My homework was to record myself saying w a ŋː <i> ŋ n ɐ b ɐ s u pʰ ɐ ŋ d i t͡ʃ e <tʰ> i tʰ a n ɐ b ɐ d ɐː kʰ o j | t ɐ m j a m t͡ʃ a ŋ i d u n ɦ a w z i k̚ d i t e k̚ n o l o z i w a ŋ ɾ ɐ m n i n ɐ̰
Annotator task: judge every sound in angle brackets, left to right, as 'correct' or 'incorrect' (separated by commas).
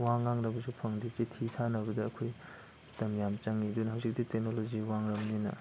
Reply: incorrect, correct